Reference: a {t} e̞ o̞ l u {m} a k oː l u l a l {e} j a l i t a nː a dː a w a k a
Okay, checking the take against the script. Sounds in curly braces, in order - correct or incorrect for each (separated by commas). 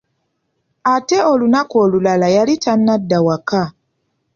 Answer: correct, incorrect, incorrect